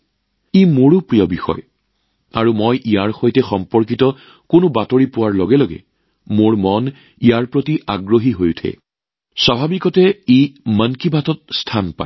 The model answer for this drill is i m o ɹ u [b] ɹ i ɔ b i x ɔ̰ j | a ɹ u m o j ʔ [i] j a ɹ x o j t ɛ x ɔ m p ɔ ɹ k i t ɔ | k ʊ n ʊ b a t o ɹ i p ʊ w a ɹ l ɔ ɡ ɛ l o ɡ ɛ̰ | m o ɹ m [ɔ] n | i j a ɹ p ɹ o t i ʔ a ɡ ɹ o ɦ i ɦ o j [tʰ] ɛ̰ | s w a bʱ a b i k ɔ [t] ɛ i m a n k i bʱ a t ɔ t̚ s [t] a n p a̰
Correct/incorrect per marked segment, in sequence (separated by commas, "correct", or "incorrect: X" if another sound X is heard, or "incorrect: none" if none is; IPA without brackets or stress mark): incorrect: p, correct, correct, correct, correct, incorrect: tʰ